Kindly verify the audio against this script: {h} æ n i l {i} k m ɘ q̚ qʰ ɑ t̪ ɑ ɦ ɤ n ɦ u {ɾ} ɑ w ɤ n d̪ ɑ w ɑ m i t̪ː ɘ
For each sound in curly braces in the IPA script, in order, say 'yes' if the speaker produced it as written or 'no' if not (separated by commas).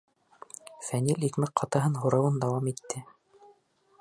no, yes, yes